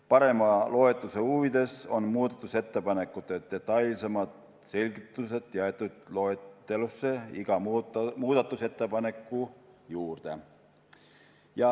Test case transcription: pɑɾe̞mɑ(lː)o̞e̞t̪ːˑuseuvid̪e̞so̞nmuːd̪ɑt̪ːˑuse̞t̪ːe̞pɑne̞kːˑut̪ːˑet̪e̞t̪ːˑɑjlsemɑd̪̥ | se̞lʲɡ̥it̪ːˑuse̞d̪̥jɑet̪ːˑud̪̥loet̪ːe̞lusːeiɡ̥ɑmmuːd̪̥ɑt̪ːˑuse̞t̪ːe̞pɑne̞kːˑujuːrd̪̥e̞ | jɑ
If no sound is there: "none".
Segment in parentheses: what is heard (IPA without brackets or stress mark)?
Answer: l